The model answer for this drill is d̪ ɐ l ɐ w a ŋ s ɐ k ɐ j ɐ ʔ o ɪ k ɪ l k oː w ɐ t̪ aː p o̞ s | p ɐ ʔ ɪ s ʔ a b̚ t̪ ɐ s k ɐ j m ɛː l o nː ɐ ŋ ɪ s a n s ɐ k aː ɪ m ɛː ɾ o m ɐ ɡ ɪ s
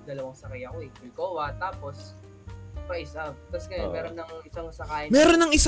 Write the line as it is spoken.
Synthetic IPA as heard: d̪ ɐ l ɐ w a ŋ s ɐ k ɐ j ɐ k o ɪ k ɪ l k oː w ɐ t̪ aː p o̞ s | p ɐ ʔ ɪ s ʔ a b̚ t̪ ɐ s k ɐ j m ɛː ɾ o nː ɐ ŋ ɪ s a ŋ s ɐ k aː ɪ m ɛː ɾ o n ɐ ŋ ɪ s